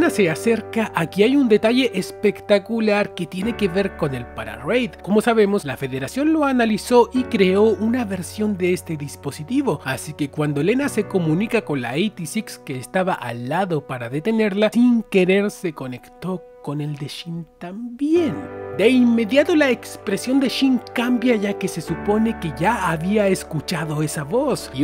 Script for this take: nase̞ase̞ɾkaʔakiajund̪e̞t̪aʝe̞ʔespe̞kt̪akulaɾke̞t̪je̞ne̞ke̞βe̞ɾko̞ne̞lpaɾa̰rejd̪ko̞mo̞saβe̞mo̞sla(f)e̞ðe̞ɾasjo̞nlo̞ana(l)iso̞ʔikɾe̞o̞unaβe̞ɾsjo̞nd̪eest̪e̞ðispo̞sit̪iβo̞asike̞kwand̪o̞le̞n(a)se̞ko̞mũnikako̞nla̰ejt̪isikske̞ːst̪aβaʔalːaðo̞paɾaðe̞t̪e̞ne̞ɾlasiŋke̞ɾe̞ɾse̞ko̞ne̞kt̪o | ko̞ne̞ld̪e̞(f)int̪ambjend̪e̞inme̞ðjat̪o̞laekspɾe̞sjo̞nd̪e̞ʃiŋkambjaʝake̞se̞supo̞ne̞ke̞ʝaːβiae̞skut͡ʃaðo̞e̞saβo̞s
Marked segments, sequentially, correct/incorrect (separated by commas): correct, correct, correct, incorrect